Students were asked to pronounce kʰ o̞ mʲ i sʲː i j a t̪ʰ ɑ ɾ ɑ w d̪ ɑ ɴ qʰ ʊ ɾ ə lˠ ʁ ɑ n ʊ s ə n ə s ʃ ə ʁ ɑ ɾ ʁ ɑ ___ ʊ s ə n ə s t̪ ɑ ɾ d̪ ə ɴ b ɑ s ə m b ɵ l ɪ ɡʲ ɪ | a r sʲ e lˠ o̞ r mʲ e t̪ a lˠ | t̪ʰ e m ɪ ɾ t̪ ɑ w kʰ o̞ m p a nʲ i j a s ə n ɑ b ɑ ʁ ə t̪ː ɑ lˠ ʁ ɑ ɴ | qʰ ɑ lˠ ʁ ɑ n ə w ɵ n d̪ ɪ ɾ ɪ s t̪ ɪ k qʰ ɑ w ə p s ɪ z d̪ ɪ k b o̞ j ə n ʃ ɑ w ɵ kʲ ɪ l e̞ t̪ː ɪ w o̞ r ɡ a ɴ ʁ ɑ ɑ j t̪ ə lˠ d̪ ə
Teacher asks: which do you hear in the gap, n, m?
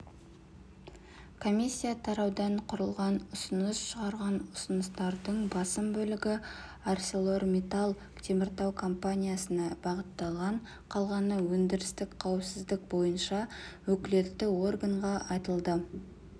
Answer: n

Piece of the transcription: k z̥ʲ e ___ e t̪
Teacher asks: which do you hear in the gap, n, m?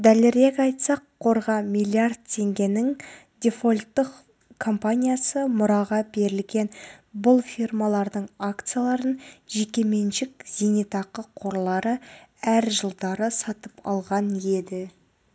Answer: n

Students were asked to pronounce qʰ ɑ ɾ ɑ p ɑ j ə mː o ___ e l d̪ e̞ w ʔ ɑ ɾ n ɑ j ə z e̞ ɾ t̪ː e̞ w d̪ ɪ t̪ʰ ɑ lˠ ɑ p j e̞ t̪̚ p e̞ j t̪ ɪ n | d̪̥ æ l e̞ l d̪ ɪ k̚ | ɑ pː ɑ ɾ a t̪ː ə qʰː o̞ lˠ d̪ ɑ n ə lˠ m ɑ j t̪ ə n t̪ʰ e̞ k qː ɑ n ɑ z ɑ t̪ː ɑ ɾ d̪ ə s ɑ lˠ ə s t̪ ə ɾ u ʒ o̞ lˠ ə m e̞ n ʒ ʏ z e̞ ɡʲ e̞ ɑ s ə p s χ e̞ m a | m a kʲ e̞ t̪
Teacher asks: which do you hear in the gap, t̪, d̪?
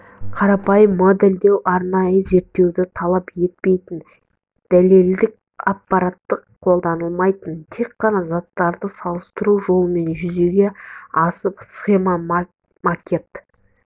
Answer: d̪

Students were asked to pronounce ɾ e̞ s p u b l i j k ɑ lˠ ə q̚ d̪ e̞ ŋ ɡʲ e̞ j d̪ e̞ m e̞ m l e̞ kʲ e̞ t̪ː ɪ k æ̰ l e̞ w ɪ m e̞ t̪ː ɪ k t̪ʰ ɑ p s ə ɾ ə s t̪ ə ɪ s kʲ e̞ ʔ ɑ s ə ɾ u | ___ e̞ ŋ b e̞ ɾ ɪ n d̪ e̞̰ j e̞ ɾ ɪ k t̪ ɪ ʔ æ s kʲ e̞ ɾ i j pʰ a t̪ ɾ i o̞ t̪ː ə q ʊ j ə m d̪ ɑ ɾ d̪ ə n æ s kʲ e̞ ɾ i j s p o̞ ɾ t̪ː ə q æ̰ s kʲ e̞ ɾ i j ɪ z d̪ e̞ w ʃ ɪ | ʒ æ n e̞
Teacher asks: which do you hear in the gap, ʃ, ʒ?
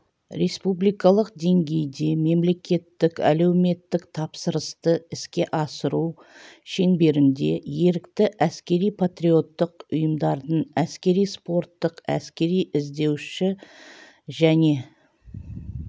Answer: ʃ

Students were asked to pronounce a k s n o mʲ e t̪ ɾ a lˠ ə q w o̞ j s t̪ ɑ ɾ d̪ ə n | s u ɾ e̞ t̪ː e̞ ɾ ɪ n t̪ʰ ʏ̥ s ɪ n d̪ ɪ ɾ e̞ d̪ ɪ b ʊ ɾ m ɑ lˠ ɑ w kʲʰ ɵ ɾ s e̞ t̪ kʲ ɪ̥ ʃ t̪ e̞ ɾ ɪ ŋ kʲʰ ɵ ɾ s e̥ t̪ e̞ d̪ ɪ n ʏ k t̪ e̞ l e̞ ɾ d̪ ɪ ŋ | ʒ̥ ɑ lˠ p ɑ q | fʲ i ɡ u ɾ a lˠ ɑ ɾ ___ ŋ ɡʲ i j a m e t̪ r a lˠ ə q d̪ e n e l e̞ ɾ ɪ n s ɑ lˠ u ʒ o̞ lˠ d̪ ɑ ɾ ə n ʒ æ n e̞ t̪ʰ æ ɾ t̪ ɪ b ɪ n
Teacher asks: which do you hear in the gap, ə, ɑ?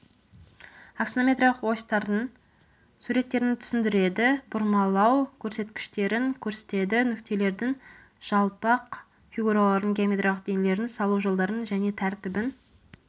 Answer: ə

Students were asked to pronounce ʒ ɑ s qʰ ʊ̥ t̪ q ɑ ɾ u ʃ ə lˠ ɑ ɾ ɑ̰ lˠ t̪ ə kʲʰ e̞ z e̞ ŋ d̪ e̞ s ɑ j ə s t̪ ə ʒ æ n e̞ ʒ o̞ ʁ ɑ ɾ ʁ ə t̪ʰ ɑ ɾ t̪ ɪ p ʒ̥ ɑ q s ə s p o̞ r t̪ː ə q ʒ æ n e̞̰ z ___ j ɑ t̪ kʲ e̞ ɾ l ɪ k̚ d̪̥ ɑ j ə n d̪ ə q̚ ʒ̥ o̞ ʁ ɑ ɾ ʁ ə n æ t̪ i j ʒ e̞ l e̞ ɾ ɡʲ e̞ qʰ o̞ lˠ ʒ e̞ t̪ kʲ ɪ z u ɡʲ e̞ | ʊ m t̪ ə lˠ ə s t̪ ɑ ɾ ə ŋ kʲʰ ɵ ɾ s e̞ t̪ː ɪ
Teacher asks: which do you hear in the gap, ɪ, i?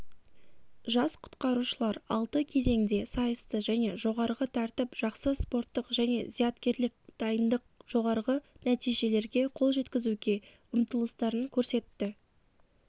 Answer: i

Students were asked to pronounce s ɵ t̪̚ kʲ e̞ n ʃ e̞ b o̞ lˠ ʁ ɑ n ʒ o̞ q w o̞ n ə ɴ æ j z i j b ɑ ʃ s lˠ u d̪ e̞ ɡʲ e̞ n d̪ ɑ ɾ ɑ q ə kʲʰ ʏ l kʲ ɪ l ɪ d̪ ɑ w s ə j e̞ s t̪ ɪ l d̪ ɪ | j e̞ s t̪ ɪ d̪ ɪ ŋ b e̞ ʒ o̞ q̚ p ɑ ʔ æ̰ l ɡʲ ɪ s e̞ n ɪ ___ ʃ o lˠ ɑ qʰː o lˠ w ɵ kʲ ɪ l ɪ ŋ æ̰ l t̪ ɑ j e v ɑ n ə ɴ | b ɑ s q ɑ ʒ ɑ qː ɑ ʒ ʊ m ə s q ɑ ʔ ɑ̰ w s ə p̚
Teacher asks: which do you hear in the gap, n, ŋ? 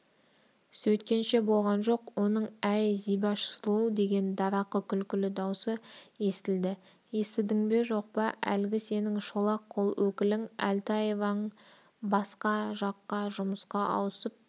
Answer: ŋ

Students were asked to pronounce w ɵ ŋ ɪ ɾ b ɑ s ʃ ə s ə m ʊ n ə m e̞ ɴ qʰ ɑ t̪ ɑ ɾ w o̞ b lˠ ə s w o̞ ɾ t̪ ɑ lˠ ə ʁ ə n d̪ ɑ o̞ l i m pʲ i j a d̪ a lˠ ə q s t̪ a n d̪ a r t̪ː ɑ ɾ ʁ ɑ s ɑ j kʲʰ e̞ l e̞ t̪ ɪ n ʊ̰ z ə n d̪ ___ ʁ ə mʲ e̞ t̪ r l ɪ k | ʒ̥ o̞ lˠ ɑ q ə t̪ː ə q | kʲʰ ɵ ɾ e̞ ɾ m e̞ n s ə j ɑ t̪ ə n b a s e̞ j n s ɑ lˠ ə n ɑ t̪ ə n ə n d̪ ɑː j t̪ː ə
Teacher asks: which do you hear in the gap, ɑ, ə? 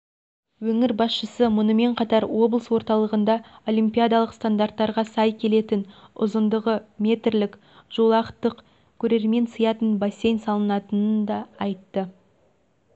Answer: ə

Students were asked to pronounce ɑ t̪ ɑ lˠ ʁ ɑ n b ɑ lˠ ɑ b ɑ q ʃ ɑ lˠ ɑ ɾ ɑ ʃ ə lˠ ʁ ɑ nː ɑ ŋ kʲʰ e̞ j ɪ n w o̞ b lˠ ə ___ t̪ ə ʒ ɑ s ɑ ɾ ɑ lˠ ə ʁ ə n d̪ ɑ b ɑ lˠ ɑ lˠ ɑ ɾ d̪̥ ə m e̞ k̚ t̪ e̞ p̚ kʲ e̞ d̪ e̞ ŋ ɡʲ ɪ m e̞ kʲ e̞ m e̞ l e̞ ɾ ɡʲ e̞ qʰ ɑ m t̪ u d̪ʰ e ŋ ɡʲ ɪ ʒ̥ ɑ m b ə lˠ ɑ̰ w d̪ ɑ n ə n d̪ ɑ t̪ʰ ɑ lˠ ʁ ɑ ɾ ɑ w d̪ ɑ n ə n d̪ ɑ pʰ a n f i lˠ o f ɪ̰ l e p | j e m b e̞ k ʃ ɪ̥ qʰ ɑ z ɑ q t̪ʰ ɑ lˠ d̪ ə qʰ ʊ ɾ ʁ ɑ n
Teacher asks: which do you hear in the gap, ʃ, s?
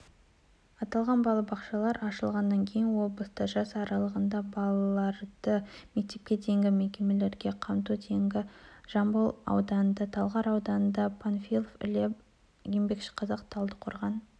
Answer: s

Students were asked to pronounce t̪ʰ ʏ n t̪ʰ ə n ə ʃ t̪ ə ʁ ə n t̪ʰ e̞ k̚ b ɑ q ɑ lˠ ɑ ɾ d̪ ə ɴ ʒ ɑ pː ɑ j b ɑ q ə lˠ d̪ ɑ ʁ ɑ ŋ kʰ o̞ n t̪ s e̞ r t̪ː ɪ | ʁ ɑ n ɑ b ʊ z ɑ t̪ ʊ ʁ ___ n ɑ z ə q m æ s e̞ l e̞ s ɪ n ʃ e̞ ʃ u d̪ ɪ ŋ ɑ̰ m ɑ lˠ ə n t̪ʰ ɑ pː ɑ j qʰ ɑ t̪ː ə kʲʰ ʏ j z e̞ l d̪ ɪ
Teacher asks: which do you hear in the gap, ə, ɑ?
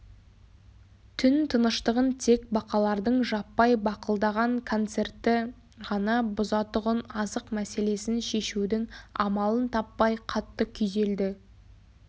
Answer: ə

